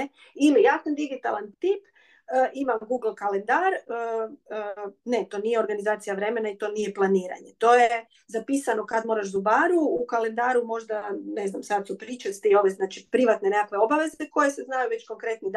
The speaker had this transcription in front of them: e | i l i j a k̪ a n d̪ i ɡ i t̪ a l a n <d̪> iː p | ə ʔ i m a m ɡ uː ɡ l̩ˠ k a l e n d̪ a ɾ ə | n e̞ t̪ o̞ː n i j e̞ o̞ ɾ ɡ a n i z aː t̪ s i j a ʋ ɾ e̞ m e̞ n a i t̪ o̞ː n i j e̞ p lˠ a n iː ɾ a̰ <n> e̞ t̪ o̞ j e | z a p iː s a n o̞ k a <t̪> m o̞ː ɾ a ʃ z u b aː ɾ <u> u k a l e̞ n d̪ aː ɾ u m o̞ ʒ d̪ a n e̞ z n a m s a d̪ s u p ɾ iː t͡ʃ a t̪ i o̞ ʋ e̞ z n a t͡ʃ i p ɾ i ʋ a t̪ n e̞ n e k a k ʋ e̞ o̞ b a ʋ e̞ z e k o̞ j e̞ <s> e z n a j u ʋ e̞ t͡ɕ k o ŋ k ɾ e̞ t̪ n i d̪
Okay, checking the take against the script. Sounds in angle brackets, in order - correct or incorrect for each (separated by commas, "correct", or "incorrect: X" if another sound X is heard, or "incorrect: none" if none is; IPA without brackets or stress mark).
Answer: incorrect: t̪, incorrect: ɲ, incorrect: d̪, correct, correct